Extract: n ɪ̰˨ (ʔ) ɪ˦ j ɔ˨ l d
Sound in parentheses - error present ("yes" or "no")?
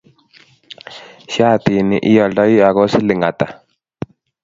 no